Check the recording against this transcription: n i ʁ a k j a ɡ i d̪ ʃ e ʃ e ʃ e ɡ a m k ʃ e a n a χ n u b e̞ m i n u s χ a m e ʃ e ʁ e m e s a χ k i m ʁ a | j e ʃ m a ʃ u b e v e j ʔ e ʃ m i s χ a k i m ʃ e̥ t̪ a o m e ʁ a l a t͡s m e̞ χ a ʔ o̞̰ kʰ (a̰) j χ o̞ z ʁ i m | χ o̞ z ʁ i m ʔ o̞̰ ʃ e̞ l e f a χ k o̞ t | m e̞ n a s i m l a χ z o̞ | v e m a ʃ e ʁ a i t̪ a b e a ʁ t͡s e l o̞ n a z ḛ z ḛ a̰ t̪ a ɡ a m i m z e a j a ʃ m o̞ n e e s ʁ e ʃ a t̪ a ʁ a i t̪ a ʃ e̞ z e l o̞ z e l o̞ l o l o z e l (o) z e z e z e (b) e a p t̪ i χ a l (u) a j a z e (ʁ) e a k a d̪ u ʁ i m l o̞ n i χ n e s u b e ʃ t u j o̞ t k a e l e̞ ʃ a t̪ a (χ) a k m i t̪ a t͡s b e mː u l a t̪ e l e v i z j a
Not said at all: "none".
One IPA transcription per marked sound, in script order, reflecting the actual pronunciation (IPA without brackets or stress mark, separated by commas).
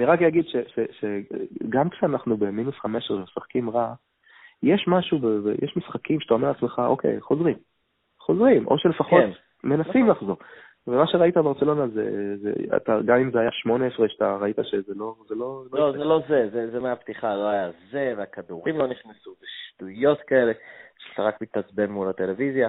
ḛ, o, m, o, v, ʁ